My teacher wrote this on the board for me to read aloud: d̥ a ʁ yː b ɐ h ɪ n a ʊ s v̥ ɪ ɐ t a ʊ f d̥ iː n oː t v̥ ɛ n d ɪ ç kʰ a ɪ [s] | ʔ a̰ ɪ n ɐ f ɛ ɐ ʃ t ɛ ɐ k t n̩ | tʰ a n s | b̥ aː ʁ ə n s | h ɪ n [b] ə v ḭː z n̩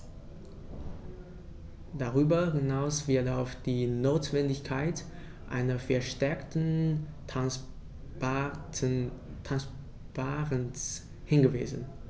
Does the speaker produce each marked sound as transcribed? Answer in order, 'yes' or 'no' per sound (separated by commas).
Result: no, no